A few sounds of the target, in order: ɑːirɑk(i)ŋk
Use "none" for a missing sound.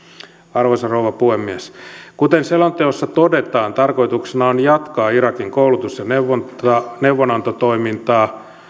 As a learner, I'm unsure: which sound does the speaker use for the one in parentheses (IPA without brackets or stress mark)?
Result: i